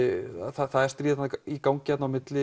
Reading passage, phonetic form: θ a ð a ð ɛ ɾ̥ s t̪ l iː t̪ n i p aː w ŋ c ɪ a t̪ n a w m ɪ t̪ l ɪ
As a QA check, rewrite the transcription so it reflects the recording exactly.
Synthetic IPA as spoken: θ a θ a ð ɛ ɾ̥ s t̪ ɾ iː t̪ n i k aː w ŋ c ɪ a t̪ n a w m ɪ t̪ l ɪ